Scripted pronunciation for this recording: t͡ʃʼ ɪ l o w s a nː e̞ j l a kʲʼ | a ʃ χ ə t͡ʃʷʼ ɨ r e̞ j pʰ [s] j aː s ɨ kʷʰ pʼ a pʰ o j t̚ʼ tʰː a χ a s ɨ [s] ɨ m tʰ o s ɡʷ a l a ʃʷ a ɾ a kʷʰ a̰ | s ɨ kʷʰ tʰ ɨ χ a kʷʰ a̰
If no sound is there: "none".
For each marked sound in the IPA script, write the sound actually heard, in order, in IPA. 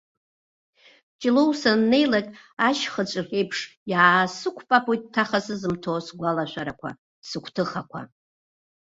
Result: ʂ, z

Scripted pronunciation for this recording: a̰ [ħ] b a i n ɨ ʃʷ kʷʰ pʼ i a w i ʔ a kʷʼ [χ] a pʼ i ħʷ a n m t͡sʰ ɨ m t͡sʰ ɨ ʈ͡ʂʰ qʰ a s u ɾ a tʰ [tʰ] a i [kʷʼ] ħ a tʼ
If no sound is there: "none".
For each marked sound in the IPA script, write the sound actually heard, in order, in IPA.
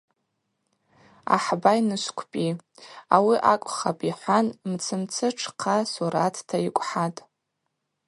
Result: ħ, χ, tʰ, kʷʼ

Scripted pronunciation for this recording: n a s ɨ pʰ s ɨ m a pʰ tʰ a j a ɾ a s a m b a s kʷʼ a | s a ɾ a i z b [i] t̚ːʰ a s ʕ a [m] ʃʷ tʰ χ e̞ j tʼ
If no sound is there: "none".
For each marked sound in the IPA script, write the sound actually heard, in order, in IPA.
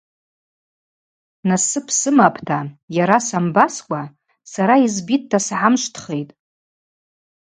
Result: i, m

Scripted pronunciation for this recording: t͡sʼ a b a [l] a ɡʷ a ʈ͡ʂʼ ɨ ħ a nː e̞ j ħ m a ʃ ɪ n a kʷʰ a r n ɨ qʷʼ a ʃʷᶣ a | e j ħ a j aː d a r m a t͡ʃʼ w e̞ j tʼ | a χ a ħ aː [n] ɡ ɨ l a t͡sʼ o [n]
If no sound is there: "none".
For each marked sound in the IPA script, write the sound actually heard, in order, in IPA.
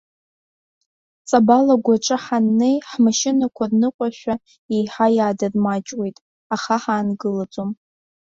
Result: l, n, m

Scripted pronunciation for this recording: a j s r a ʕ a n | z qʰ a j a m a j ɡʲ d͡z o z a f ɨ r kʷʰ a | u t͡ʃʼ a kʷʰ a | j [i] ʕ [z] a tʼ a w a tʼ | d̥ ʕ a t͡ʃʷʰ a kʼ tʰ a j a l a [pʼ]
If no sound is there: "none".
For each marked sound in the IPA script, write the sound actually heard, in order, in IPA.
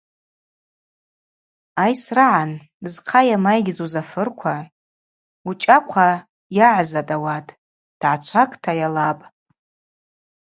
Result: a, z, pʼ

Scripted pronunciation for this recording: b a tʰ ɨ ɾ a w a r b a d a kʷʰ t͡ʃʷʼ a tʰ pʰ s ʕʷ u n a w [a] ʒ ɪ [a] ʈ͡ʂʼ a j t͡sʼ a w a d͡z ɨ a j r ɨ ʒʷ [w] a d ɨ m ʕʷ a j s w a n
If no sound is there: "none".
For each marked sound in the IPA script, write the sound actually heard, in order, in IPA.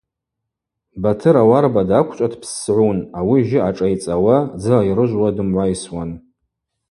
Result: i, a, w

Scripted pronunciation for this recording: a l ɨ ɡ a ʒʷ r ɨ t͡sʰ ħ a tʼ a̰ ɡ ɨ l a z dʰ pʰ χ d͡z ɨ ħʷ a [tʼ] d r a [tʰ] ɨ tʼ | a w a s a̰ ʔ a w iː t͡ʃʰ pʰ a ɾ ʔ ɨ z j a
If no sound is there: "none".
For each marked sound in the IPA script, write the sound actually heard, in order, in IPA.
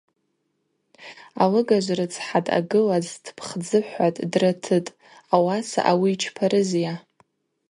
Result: tʼ, tʰ

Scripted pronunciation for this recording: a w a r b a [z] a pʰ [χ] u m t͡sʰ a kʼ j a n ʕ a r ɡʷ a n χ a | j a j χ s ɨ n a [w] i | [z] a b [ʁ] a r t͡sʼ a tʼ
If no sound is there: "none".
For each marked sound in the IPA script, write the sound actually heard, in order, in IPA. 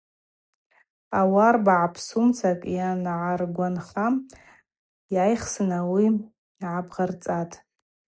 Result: ʕ, s, w, ʕ, ʁ

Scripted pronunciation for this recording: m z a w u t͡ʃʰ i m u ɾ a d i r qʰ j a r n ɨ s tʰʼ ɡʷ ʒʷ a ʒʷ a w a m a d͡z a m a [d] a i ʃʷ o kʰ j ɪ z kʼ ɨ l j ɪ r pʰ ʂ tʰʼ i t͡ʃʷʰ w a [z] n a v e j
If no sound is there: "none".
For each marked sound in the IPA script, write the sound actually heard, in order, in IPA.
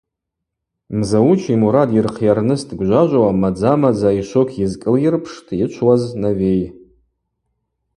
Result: d͡z, z

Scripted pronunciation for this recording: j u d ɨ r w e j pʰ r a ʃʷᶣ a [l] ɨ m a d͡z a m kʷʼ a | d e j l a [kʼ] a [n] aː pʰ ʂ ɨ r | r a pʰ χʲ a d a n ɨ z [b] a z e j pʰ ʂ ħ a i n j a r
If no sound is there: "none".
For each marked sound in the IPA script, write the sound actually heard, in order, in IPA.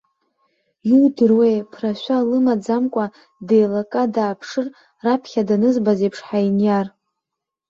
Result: l, kʼ, d, b

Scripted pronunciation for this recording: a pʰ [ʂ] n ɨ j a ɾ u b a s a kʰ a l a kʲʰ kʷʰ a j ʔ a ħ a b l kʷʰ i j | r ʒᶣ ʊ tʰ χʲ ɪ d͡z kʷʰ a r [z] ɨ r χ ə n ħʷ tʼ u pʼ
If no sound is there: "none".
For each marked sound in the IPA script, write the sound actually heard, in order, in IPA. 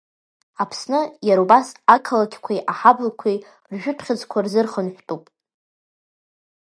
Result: s, z

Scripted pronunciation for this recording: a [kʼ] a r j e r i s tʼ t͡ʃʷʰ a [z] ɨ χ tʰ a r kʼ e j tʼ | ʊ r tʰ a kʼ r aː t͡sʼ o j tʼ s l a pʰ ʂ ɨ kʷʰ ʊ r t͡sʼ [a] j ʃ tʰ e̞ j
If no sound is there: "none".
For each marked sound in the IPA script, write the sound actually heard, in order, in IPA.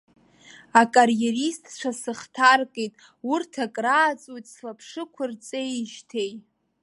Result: kʼ, s, e

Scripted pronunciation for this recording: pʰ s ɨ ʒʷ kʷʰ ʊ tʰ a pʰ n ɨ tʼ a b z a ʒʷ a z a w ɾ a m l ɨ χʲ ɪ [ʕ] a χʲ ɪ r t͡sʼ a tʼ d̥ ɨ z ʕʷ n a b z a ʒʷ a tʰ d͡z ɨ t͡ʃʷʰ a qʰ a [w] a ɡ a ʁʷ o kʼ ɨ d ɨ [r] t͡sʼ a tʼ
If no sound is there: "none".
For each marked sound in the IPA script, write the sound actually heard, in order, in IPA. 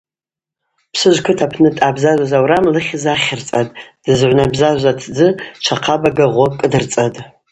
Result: z, b, r

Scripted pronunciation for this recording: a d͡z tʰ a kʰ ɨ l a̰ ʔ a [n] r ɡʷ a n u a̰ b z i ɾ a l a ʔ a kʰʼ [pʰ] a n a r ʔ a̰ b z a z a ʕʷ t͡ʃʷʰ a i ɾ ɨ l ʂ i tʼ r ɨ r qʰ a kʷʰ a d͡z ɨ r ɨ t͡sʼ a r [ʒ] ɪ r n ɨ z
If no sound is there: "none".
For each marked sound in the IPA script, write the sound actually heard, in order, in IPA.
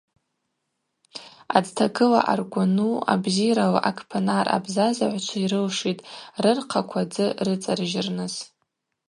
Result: none, pʰ, ʒ

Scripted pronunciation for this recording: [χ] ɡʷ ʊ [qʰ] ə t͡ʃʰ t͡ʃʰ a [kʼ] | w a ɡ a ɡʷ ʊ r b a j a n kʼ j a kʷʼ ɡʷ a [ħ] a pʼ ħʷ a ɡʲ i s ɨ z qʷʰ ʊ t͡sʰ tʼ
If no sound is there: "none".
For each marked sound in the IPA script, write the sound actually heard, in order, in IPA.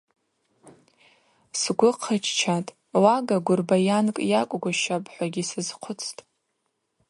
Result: s, qʰ, tʼ, ʃ

